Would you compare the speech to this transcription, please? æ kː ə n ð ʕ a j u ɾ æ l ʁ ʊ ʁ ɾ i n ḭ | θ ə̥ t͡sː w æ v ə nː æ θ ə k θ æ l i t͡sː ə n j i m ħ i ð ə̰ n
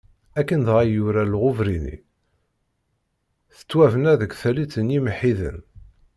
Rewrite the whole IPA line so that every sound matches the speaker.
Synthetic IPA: æ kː ə n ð ʁ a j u ɾ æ l ʁ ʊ v ɾ i n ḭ | θ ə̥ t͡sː w æ v ə n æ ð ə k θ æ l i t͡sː ə n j i m ħ i ð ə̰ n

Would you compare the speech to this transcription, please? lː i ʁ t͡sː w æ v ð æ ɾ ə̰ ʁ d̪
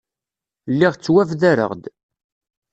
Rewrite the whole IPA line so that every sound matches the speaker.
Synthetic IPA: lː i ʁ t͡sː w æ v ð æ ɾ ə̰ ʁ d̪

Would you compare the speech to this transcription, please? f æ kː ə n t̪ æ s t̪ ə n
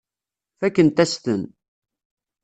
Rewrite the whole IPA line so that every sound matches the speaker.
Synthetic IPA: f æ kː ə n t̪ æ s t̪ ə n

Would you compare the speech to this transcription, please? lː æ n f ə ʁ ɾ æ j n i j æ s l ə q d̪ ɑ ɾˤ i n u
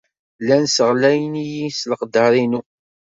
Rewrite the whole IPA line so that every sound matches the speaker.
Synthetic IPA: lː æ n s ə ʁ l æ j n i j i s l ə q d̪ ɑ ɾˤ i n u

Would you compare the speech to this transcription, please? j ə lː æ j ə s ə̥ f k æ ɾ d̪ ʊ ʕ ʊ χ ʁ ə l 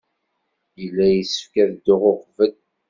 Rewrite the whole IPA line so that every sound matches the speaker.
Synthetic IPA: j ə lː æ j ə s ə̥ f k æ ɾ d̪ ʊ ʁ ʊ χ v ə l

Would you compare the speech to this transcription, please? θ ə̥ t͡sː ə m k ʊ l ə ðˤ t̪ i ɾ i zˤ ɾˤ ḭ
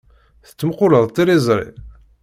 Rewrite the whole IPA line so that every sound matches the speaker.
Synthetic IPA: θ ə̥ t͡sː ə m q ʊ l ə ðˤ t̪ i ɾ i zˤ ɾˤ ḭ

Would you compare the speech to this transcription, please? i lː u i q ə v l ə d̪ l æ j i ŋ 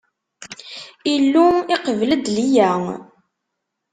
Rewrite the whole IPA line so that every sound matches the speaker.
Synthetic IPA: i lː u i q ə v l ə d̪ l i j æ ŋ

